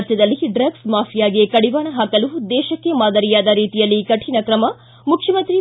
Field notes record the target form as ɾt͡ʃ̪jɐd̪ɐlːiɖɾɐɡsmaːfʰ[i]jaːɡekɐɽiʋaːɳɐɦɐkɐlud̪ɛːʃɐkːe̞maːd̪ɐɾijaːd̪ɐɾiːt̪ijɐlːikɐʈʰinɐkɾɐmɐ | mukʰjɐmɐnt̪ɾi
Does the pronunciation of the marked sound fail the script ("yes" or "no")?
no